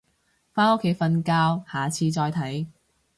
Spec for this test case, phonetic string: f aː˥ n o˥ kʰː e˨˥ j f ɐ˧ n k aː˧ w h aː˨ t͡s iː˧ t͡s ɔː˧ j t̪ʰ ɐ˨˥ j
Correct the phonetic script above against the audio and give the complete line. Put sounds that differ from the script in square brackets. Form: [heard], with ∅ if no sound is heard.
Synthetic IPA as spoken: f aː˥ n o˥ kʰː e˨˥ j f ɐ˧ n k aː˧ w h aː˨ [t͡sʰ] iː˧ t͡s ɔː˧ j t̪ʰ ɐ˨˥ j